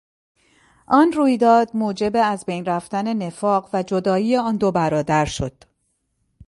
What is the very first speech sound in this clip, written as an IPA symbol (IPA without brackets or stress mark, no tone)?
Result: ʔ